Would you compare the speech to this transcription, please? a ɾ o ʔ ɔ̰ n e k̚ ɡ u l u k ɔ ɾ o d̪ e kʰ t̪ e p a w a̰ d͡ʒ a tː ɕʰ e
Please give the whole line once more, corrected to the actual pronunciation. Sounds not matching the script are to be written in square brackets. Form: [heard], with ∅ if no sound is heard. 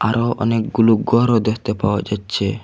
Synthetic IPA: a ɾ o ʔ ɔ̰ n e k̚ ɡ u l u [ɡ] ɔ ɾ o d̪ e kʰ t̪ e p a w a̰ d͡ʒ a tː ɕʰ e